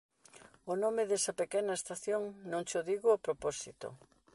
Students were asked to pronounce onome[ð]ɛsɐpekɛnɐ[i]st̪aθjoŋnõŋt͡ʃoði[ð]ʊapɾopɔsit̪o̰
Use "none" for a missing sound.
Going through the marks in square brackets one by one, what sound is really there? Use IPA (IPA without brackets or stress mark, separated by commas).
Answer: ð, e, ɣ